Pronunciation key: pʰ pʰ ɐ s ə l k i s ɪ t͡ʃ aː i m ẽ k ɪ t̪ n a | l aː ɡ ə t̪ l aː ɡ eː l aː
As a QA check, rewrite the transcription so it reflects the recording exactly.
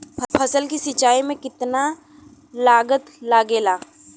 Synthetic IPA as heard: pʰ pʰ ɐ s ə l k i s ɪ t͡ʃ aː i m ẽ k ɪ t̪ n a | l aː ɡ ə t̪ l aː ɡ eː l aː